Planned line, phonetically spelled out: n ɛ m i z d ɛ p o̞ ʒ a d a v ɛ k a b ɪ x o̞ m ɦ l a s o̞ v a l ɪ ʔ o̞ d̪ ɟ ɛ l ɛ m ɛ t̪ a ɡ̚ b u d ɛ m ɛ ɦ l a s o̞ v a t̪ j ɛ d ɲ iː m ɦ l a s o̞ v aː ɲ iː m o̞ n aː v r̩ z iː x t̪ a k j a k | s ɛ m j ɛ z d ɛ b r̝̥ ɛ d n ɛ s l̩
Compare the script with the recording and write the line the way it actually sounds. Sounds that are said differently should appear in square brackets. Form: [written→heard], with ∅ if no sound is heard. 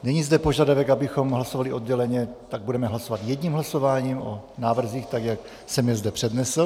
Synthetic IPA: n ɛ [m→ɲ] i z d ɛ p o̞ ʒ a d a v ɛ k a b ɪ x o̞ m ɦ l a s o̞ v a l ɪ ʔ o̞ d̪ ɟ ɛ l ɛ [m→ɲ] ɛ t̪ a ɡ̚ b u d ɛ m ɛ ɦ l a s o̞ v a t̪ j ɛ d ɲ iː m ɦ l a s o̞ v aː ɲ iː m o̞ n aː v r̩ z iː x t̪ a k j a k | s ɛ m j ɛ z d ɛ [b→p] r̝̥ ɛ d n ɛ s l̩

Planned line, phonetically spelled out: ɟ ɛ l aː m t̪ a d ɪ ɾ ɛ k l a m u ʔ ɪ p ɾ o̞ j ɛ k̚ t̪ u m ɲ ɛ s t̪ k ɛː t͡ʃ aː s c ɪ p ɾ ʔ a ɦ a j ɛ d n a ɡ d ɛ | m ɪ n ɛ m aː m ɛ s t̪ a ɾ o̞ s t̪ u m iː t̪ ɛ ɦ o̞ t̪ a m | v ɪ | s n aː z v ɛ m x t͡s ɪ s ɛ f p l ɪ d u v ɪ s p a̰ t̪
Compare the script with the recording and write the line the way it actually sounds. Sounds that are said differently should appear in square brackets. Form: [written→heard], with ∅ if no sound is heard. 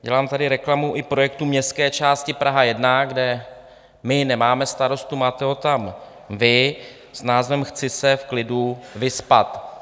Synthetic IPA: ɟ ɛ l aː m t̪ a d ɪ ɾ ɛ k l a m u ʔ ɪ p ɾ o̞ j ɛ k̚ t̪ u m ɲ ɛ s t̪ k ɛː t͡ʃ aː s c ɪ p ɾ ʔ a ɦ a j ɛ d n a ɡ d ɛ | m ɪ n ɛ m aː m ɛ s t̪ a ɾ o̞ s t̪ u m [iː→aː] t̪ ɛ ɦ o̞ t̪ a m | v ɪ | s n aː z v ɛ m x t͡s ɪ s ɛ f [p→k] l ɪ d u v ɪ s p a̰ t̪

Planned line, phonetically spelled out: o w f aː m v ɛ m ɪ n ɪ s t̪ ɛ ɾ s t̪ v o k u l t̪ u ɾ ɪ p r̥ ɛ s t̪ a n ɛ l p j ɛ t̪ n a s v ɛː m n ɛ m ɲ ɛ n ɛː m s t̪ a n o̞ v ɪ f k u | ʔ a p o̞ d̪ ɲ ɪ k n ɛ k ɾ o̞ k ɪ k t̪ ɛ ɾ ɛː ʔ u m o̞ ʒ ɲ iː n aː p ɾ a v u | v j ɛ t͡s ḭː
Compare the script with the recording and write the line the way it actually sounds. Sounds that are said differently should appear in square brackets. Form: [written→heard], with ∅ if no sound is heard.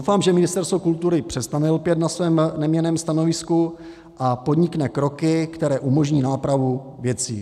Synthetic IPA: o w f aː m [v→ʒ] ɛ m ɪ n ɪ s t̪ ɛ ɾ s t̪ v o k u l t̪ u ɾ ɪ p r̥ ɛ s t̪ a n ɛ l p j ɛ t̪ n a s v ɛː m n ɛ m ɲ ɛ n ɛː m s t̪ a n o̞ v ɪ [f→s] k u | ʔ a p o̞ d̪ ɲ ɪ k n ɛ k ɾ o̞ k ɪ k t̪ ɛ ɾ ɛː ʔ u m o̞ ʒ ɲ iː n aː p ɾ a v u | v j ɛ t͡s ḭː

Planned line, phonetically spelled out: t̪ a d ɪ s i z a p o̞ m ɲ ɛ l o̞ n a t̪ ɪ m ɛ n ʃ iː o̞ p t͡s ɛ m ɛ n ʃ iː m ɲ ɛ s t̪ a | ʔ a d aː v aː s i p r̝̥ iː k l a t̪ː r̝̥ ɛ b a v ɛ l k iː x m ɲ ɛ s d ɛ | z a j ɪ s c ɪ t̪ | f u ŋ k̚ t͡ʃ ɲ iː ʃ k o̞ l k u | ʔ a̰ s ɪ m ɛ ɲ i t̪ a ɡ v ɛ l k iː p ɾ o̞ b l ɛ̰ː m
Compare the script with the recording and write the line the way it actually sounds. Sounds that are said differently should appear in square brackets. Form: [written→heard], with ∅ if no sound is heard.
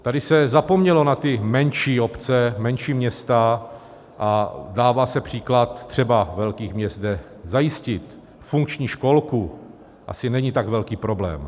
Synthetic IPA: t̪ a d ɪ s [i→ɛ] z a p o̞ m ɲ ɛ l o̞ n a t̪ ɪ m ɛ n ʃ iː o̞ p t͡s ɛ m ɛ n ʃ iː m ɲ ɛ s t̪ a | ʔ a d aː v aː s [i→ɛ] p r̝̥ iː k l a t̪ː r̝̥ ɛ b a v ɛ l k iː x m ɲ ɛ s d ɛ | z a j ɪ s c ɪ t̪ | f u ŋ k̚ t͡ʃ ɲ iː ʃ k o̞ l k u | ʔ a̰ s ɪ [m→n] ɛ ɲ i t̪ a ɡ v ɛ l k iː p ɾ o̞ b l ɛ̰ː m

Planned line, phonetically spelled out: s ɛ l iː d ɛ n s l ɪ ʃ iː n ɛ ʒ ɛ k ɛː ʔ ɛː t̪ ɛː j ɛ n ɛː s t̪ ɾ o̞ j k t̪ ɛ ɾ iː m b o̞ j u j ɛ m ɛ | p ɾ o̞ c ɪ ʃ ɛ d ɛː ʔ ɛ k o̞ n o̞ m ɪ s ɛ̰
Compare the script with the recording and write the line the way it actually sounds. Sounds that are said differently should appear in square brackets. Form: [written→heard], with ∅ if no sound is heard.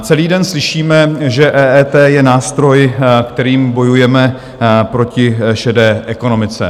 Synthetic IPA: [s→t͡s] ɛ l iː d ɛ n s l ɪ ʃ iː [n→m] ɛ ʒ ɛ [k→ʔ] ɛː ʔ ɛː t̪ ɛː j ɛ n [ɛː→aː] s t̪ ɾ o̞ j k t̪ ɛ ɾ iː m b o̞ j u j ɛ m ɛ | p ɾ o̞ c ɪ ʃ ɛ d ɛː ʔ ɛ k o̞ n o̞ m ɪ [s→t͡s] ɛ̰

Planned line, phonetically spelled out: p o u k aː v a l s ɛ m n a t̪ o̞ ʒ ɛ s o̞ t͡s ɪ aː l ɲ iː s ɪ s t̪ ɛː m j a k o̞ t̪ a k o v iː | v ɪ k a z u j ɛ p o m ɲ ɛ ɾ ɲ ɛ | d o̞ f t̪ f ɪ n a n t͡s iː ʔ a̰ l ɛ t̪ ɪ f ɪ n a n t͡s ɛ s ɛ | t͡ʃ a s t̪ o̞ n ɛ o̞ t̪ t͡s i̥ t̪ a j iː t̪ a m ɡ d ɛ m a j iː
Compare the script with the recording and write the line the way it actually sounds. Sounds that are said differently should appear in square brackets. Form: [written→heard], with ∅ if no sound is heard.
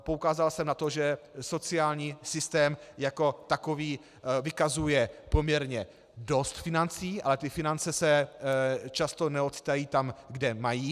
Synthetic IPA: p o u k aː [v→z] a l s ɛ m n a t̪ o̞ ʒ ɛ s o̞ t͡s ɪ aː l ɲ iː s ɪ s t̪ ɛː m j a k o̞ t̪ a k o v iː | v ɪ k a z u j ɛ p o m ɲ ɛ ɾ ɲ ɛ | d o̞ [f→s] t̪ f ɪ n a n t͡s iː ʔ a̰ l ɛ t̪ ɪ f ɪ n a n t͡s ɛ s ɛ | t͡ʃ a s t̪ o̞ n ɛ o̞ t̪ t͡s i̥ t̪ a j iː t̪ a m ɡ d ɛ m a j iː

